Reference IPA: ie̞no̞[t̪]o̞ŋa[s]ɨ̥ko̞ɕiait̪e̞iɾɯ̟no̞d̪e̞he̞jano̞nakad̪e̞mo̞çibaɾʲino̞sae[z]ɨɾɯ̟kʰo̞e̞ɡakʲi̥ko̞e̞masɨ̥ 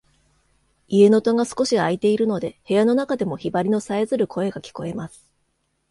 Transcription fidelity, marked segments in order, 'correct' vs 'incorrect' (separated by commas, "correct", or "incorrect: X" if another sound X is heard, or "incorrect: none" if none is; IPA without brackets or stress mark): correct, correct, correct